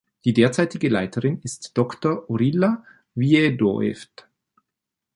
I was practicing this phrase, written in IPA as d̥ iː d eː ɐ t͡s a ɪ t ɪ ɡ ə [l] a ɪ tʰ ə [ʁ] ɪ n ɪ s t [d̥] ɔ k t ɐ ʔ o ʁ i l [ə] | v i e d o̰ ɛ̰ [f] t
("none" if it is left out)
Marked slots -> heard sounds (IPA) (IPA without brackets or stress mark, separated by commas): l, ʁ, d̥, a, f